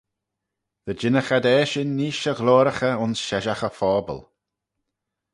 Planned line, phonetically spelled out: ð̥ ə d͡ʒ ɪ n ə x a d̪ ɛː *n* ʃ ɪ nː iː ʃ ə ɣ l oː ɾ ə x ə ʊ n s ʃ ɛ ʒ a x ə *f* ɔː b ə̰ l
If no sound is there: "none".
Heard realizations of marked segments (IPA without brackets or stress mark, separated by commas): none, f